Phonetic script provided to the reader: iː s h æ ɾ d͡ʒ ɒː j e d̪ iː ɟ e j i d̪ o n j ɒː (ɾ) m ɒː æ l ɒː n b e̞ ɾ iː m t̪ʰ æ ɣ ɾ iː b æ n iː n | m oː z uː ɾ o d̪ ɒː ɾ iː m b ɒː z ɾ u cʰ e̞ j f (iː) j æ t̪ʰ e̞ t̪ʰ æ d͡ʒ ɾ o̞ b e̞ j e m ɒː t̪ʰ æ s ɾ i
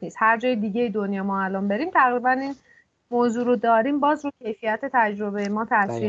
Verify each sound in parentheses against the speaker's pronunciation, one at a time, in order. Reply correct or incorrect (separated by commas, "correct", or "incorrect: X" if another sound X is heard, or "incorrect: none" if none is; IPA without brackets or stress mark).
incorrect: none, incorrect: i